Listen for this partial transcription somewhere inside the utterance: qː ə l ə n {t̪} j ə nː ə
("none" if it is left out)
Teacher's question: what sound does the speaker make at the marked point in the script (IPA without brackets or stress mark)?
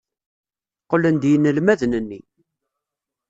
d̪